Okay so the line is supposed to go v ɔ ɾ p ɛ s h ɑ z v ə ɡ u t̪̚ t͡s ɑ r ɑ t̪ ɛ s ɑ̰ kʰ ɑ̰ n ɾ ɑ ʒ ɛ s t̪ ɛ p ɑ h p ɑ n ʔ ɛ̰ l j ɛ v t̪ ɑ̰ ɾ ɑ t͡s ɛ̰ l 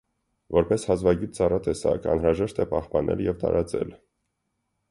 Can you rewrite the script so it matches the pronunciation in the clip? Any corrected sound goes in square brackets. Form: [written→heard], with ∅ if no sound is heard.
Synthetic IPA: v ɔ ɾ p ɛ s h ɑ z v [ə→ɑ] ɡ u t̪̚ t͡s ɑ r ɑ t̪ ɛ s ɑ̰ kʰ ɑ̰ n ɾ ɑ ʒ ɛ [s→ʃ] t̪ ɛ p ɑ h p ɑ n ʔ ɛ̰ l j ɛ v t̪ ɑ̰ ɾ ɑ t͡s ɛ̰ l